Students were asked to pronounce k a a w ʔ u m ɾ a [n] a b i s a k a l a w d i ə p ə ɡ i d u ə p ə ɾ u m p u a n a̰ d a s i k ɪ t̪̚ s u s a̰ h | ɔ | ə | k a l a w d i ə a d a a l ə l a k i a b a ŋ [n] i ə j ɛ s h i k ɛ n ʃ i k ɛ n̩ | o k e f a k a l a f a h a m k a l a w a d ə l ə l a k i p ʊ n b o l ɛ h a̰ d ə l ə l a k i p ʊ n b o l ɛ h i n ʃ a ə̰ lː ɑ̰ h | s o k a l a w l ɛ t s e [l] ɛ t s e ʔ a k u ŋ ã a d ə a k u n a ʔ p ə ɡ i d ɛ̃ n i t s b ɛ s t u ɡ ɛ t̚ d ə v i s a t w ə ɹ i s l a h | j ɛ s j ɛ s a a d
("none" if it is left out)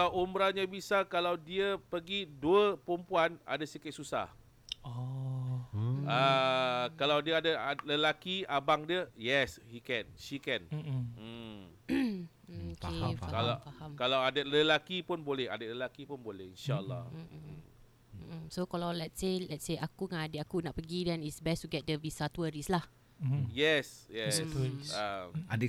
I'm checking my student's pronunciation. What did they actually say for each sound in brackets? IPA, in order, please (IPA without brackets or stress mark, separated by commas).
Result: ɲ, d, l